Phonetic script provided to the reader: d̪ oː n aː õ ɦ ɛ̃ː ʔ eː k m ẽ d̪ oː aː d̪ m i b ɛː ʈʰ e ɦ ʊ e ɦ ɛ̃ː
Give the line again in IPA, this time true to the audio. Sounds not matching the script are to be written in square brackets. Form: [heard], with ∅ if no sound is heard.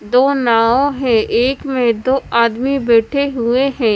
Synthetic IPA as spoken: d̪ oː n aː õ ɦ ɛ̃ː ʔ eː k m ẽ d̪ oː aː d̪ m i b ɛː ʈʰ e ɦ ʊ e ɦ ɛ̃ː